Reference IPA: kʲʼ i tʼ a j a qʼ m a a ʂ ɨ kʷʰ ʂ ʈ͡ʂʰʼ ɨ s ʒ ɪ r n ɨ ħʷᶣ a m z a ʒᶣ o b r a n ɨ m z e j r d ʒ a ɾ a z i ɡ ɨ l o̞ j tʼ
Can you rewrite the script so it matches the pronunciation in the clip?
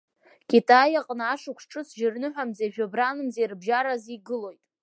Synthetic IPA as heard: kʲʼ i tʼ a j a qʼ n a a ʂ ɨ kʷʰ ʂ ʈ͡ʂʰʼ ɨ s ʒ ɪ r n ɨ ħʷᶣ a m z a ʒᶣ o b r a n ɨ m z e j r b ʒ a ɾ a z i ɡ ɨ l o̞ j tʼ